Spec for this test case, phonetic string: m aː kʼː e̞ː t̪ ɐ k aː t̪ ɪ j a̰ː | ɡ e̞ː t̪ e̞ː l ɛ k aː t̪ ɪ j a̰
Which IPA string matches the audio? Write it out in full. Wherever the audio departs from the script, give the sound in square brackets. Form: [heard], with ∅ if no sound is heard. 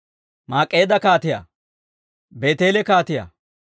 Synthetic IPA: m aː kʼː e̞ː [d̪] ɐ k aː t̪ ɪ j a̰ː | [b] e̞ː t̪ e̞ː l ɛ k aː t̪ ɪ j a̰